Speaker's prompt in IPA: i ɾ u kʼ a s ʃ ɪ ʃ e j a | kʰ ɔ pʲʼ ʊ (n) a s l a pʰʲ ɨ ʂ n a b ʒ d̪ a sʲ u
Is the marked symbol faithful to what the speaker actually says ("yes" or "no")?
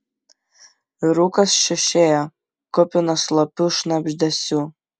yes